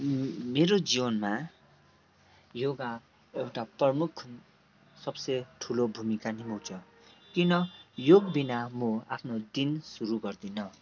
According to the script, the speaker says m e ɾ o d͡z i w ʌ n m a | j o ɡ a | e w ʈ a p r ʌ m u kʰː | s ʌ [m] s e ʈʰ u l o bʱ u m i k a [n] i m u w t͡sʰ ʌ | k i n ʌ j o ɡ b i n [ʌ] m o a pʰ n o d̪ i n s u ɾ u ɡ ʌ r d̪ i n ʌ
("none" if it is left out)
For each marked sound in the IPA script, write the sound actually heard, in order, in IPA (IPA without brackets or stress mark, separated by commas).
b, n, a